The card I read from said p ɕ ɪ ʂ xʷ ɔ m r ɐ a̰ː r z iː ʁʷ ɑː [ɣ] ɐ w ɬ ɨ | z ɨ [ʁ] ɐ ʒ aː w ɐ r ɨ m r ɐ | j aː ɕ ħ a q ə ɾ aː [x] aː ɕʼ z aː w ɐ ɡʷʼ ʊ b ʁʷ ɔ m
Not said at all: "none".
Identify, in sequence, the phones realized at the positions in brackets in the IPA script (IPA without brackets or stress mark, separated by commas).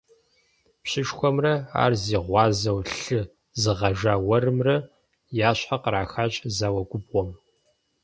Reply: z, ʁ, x